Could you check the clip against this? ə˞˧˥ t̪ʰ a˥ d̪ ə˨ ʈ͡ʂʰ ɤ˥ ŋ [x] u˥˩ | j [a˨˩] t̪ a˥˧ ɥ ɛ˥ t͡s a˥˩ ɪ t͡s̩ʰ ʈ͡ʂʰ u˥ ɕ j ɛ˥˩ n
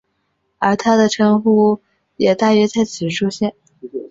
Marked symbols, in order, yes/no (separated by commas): yes, no